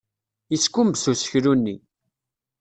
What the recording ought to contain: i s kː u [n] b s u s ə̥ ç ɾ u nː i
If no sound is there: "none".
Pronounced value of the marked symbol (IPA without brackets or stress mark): m